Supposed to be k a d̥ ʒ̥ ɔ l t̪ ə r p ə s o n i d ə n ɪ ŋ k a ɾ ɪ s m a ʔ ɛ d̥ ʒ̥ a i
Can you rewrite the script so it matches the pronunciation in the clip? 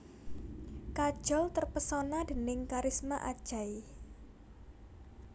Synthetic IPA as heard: k a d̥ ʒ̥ ɔ l t̪ ə r p ə s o n a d ə n ɪ ŋ k a ɾ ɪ s m a ʔ a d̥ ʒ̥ a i